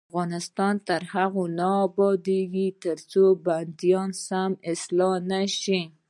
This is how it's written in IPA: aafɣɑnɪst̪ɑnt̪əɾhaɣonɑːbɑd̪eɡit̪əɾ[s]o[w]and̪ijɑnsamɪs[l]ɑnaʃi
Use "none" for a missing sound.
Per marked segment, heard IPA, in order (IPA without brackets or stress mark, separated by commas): t͡s, b, l